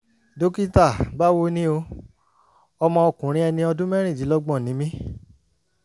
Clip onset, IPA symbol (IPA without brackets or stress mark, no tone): d